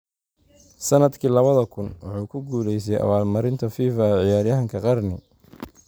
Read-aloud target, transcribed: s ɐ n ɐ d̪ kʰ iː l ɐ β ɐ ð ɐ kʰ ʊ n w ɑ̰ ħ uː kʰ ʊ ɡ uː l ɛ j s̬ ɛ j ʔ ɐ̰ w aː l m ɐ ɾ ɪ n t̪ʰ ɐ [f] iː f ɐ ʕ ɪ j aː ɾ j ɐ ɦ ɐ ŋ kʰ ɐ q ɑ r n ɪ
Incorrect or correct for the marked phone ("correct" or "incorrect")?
correct